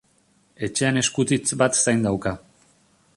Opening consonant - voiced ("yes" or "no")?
no